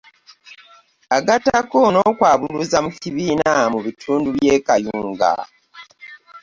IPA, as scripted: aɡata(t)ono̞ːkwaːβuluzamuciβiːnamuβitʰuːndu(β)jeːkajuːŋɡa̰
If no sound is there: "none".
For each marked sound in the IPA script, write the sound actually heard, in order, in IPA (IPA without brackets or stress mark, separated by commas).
k, β